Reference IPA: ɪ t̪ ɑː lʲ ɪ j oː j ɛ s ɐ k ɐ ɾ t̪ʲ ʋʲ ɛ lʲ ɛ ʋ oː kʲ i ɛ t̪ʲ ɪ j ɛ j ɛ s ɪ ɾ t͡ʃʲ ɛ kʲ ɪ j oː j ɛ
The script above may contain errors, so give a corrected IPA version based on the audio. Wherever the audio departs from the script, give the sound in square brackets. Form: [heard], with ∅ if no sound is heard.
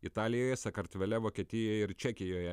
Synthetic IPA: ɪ t̪ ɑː lʲ ɪ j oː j ɛ s ɐ k ɐ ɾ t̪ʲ ʋʲ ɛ lʲ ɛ ʋ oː kʲ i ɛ t̪ʲ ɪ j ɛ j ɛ [∅] ɪ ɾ t͡ʃʲ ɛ kʲ ɪ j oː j ɛ